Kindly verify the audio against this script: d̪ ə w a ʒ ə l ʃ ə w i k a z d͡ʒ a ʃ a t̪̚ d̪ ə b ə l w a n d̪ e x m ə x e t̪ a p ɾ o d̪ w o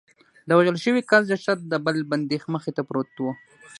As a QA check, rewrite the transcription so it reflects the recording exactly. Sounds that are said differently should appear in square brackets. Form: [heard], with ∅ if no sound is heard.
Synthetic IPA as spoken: d̪ ə w a ʒ ə l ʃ ə w i k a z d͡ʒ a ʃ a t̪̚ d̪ ə b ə l [b] a n d̪ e x m ə x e t̪ a p ɾ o [t̪] w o